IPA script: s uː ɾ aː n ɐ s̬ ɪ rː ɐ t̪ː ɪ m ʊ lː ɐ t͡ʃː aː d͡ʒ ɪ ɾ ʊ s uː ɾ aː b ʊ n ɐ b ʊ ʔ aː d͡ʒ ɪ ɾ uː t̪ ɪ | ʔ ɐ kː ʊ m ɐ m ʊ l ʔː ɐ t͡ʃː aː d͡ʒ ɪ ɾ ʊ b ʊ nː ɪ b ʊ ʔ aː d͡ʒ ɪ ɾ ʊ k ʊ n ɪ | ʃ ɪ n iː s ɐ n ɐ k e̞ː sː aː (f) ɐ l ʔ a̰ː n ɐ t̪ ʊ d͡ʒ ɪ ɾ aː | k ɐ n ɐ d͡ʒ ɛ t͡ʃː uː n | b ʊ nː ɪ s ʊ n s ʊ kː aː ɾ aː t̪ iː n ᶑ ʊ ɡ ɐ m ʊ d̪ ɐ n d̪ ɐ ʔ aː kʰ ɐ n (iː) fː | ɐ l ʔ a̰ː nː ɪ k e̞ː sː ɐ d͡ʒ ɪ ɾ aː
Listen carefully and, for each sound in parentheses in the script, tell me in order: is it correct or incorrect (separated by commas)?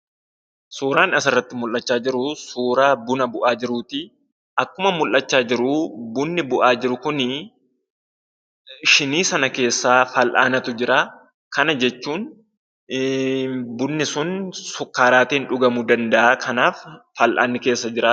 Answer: correct, incorrect